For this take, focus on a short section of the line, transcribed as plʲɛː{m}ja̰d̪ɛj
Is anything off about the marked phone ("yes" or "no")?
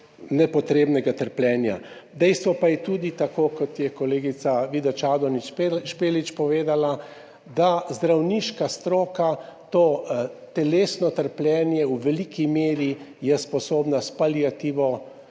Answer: yes